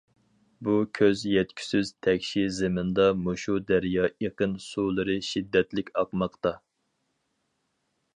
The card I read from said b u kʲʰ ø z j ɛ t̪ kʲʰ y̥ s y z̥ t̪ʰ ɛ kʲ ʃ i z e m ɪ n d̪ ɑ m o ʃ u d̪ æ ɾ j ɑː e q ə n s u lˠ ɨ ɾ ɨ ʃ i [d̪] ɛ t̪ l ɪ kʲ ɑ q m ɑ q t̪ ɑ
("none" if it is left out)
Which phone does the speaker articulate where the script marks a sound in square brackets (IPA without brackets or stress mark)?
d̪ː